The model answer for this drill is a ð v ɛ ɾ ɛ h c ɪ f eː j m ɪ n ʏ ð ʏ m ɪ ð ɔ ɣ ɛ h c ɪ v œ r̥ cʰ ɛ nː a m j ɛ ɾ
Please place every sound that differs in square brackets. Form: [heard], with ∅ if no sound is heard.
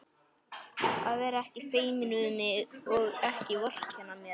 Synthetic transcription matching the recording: a ð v ɛ ɾ ɛ h c ɪ f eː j m ɪ n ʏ ð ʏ m ɪ ð ɔ ɣ ɛ h c ɪ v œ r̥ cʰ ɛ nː a m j ɛ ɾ